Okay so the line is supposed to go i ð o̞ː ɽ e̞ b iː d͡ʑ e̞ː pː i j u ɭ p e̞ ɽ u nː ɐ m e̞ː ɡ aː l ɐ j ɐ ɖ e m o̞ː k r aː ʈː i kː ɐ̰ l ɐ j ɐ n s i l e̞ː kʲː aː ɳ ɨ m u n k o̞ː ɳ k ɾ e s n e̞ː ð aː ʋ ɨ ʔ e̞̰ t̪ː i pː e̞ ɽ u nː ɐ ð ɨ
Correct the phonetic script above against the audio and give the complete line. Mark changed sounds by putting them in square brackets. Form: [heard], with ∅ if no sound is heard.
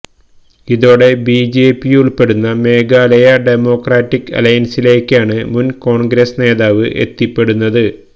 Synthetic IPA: i ð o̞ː ɽ e̞ b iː d͡ʑ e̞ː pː i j u ɭ p e̞ ɽ u nː ɐ m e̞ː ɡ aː l ɐ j ɐ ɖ e m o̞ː k r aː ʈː i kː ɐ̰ l ɐ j ɐ n s i l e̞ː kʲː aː ɳ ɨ m u n k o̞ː ɳ [ɡ] ɾ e s n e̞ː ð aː ʋ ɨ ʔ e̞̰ t̪ː i pː e̞ ɽ u nː ɐ ð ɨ